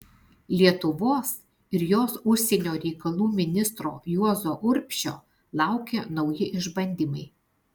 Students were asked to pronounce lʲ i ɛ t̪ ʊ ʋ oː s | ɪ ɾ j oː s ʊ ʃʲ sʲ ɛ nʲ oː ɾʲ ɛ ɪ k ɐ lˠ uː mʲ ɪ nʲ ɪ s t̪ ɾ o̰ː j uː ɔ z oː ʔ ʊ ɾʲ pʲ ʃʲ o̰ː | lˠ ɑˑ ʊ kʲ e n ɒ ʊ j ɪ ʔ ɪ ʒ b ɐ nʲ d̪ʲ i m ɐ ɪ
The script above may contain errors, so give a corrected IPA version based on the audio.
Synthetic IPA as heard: lʲ i ɛ t̪ ʊ ʋ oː s | ɪ ɾ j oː s ʊ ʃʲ sʲ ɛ nʲ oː ɾʲ ɛ ɪ k ɐ lˠ uː mʲ ɪ nʲ ɪ s t̪ ɾ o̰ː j u ɔ z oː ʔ ʊ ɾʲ pʲ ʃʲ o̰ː | lˠ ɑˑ ʊ kʲ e n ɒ ʊ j ɪ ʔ ɪ ʒ b ɐ nʲ d̪ʲ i m ɐ ɪ